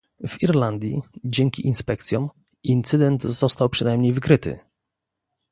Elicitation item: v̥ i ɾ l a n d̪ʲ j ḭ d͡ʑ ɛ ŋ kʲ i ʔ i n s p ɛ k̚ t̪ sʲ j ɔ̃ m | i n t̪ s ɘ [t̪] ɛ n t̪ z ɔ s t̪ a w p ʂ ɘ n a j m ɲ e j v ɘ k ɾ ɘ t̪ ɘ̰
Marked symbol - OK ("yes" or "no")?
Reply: no